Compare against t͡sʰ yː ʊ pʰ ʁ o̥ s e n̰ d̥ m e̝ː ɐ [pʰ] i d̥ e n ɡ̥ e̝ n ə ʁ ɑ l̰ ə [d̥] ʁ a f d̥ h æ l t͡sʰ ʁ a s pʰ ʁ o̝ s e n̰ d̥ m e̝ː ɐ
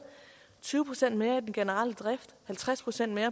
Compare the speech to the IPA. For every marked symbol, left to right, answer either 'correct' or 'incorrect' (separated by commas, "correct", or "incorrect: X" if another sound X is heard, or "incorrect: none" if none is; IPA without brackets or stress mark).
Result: incorrect: none, correct